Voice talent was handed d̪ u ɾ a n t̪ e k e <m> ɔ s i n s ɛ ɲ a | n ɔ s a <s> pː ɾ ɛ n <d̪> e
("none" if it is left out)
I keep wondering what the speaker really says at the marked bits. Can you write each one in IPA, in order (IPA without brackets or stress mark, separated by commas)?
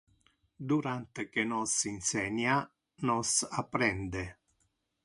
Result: n, none, d̪